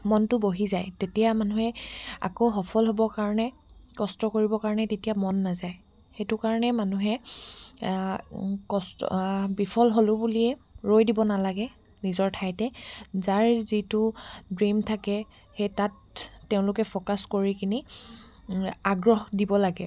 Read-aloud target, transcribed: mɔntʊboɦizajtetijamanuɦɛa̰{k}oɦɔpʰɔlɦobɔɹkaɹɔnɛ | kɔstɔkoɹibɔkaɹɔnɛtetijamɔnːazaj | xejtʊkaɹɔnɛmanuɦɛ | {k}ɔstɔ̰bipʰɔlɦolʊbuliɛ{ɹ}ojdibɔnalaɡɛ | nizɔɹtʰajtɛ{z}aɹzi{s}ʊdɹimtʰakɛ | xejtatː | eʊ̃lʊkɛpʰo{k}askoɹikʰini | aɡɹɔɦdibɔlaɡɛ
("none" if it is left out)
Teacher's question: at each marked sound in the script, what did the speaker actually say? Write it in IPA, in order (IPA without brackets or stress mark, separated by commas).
k, k, ɹ, z, t, k